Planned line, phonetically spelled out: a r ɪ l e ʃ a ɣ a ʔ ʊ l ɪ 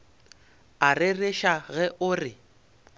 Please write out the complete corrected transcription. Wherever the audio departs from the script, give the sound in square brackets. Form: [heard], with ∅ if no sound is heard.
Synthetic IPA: a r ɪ [r] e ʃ a ɣ [ɛ] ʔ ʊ [r] ɪ